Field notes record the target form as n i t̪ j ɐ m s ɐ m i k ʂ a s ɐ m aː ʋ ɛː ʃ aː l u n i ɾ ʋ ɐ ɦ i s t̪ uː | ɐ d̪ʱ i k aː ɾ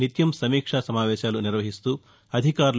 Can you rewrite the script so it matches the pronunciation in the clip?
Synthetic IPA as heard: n i t̪ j ɐ m s ɐ m iː k ʂ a s ɐ m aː ʋ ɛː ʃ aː l u n i ɾ ʋ ɐ ɦ i s t̪ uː | ɐ d̪ʱ i k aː ɾ